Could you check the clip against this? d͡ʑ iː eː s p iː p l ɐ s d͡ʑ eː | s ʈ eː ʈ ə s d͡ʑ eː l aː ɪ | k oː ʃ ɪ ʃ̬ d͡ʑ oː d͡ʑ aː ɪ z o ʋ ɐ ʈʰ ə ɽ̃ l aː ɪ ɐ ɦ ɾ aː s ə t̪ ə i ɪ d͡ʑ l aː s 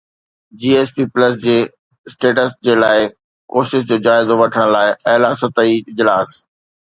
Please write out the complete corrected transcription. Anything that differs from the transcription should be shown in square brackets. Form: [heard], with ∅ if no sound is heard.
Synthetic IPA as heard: d͡ʑ iː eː s p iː p l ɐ s d͡ʑ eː | s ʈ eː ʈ ə s d͡ʑ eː l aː ɪ | k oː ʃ ɪ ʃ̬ d͡ʑ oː d͡ʑ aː ɪ z o ʋ ɐ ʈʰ ə ɽ̃ l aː ɪ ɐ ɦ [l] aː s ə t̪ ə i ɪ d͡ʑ l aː s